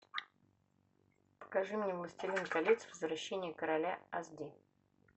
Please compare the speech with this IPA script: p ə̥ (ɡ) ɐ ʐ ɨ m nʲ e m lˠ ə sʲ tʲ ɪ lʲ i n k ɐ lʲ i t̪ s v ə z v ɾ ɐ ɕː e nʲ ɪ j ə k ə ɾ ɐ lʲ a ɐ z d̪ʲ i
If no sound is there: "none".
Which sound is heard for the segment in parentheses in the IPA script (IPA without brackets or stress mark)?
k